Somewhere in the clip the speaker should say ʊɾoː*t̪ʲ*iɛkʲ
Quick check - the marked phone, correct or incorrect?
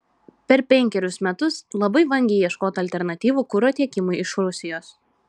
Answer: correct